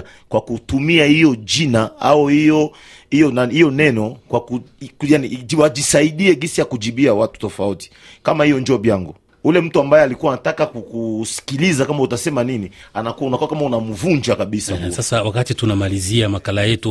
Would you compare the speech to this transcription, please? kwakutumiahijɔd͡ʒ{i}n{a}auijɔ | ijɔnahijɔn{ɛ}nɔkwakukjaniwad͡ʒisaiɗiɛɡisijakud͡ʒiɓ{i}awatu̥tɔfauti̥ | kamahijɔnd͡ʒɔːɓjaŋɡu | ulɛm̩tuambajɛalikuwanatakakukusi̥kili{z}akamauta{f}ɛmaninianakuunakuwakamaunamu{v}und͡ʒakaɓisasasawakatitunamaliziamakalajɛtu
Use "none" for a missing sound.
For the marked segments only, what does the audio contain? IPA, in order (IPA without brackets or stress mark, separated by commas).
i, a, ɛ, i, z, s, v